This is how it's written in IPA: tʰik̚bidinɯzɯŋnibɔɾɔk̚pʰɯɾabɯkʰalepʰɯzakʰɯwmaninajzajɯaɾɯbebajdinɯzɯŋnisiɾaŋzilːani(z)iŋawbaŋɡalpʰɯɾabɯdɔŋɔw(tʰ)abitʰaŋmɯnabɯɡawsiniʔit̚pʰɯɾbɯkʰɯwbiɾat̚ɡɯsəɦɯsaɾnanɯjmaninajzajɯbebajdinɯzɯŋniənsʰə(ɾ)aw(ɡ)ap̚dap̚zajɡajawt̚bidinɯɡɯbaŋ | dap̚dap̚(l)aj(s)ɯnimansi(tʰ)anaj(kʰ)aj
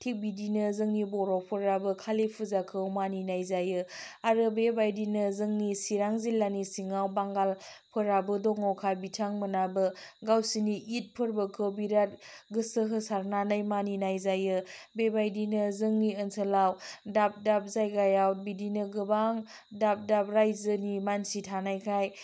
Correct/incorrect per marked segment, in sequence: incorrect, incorrect, incorrect, incorrect, incorrect, incorrect, correct, correct

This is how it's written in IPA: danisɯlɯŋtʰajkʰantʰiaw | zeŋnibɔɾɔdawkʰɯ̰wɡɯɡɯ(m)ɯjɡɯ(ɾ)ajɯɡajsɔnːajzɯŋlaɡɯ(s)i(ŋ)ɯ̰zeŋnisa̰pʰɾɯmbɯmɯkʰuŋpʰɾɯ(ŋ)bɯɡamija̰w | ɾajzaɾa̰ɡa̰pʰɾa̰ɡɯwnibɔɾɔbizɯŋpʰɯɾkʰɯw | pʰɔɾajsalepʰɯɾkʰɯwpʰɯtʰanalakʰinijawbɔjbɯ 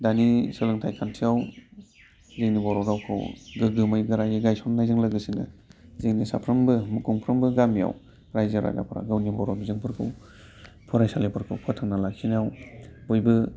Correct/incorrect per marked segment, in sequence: correct, correct, correct, incorrect, incorrect

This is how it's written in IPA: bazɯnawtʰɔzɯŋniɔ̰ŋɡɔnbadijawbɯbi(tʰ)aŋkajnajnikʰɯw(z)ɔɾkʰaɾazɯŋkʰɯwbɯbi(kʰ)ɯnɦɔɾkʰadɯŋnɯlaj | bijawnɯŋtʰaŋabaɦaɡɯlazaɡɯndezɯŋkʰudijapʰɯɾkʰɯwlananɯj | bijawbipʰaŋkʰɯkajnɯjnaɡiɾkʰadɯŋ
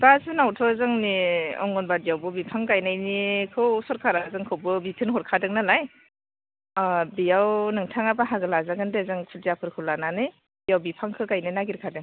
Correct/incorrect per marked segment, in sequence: incorrect, incorrect, incorrect

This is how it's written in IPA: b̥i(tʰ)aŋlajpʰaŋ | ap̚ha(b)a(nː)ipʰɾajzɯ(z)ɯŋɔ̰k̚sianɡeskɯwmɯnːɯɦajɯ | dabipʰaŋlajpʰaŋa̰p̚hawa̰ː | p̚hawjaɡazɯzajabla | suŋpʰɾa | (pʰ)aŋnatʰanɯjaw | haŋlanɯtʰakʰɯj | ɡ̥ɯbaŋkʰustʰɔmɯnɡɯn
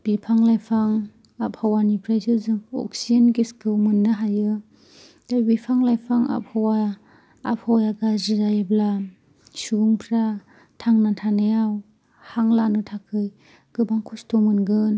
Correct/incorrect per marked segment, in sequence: incorrect, incorrect, incorrect, correct, incorrect

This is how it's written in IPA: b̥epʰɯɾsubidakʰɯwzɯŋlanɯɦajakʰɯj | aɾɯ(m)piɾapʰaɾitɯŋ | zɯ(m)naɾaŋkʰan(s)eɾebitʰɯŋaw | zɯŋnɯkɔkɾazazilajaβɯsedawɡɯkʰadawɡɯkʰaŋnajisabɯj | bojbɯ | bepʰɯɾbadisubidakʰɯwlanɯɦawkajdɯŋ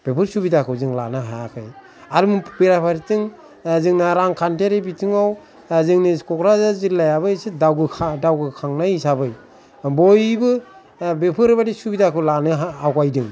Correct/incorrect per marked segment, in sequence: correct, incorrect, incorrect

